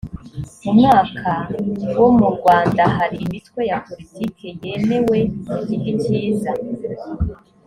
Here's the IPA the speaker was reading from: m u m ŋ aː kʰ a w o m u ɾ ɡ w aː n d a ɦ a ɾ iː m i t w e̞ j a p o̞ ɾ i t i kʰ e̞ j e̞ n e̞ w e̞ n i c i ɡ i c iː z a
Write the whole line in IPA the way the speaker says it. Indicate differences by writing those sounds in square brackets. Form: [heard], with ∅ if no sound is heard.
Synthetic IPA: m u m ŋ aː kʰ a w o m u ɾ ɡ w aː n d a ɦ a ɾ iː m i t w e̞ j a p o̞ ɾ i t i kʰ e̞ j e̞ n e̞ w e̞ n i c i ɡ i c iː z a